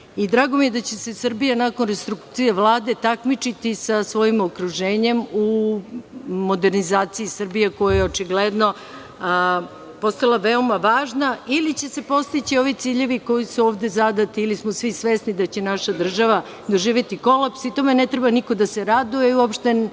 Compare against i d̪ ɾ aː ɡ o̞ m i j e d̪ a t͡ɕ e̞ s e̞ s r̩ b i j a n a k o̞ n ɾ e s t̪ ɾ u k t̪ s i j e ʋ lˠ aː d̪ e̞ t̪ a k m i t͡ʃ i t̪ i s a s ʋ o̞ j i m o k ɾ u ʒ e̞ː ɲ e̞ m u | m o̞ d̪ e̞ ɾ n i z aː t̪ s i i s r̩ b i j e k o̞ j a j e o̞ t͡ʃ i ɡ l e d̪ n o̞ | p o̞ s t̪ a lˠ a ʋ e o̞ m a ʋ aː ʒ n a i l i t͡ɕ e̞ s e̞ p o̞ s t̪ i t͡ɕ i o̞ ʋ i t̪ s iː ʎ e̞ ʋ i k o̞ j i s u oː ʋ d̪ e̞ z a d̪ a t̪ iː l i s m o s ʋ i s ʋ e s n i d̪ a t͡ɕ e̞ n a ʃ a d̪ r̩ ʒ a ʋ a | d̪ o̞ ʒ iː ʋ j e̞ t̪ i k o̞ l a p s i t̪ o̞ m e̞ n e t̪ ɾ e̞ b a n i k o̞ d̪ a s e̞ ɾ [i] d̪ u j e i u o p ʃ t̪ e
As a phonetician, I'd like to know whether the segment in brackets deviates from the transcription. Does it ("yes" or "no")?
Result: yes